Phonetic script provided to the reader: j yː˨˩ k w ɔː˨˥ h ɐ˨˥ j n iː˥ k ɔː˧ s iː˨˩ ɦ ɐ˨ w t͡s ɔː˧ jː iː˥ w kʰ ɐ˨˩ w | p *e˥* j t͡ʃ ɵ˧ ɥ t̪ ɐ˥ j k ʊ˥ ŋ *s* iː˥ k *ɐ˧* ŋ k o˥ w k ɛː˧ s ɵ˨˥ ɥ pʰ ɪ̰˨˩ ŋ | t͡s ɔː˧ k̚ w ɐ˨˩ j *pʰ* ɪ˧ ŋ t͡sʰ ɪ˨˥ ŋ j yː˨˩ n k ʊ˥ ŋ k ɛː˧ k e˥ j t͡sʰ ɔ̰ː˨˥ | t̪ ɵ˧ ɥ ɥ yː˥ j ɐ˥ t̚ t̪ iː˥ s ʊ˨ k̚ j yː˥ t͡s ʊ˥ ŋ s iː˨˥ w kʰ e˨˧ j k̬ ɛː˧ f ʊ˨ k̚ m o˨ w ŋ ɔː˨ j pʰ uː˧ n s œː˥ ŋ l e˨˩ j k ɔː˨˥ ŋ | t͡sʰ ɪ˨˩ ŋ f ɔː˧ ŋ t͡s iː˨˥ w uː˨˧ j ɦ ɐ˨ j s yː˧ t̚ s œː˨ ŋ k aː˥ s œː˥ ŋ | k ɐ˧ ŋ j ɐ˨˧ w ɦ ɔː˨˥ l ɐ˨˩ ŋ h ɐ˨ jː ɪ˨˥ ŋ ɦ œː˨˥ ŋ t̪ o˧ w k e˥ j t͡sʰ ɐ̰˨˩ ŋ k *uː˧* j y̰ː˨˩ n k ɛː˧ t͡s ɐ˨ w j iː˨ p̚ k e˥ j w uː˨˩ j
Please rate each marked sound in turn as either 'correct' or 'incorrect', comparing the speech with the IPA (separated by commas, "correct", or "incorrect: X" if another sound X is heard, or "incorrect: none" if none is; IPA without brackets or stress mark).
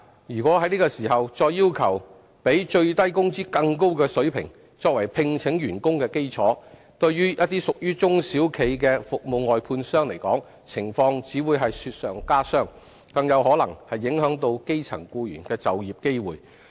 incorrect: e˨˥, incorrect: t͡s, correct, correct, correct